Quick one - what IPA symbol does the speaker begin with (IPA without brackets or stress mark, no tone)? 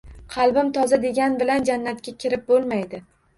qʰ